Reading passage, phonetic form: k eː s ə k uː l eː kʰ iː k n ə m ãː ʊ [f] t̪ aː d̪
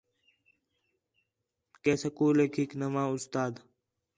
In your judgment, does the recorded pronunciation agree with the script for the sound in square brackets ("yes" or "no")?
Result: no